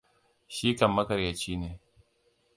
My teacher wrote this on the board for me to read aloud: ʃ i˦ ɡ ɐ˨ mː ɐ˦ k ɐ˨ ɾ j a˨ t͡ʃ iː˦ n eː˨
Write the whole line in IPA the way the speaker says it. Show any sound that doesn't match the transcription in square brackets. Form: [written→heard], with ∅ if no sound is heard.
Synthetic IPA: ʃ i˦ [ɡ→k] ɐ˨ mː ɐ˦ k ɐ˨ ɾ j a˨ t͡ʃ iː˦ n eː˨